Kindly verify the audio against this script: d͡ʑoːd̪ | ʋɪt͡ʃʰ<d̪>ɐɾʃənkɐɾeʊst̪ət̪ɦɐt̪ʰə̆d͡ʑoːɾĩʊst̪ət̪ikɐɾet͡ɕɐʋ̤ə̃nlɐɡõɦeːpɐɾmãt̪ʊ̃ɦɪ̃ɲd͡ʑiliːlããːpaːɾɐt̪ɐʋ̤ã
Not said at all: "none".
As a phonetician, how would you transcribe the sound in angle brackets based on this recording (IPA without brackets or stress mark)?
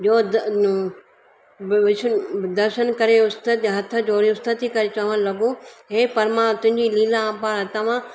d̪